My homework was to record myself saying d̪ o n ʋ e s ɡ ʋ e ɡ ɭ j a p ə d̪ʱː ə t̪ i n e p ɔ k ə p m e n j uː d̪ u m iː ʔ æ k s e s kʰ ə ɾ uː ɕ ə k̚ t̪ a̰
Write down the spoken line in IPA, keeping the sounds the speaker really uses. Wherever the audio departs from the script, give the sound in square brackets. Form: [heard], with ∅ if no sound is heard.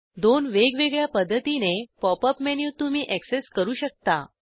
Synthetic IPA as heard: d̪ o n ʋ e [∅] ɡ ʋ e ɡ ɭ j a p ə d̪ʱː ə t̪ i n e p ɔ [p] ə p m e n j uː [t̪] u m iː ʔ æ k s e s [k] ə ɾ uː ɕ ə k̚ t̪ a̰